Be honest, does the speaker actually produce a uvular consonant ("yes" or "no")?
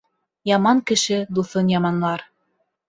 no